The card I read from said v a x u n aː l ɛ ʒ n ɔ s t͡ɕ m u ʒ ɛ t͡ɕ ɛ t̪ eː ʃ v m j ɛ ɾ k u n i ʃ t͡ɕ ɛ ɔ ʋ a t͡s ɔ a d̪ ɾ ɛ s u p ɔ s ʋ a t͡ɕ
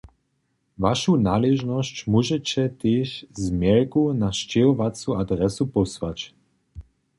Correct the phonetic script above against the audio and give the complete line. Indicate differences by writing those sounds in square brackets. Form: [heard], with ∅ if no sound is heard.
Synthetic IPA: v a [ʃ] u n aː l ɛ ʒ n ɔ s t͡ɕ m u ʒ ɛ t͡ɕ ɛ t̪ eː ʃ [z] m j ɛ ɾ k u n [a] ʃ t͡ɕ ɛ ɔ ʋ a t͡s [u] a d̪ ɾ ɛ s u p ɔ s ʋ a t͡ɕ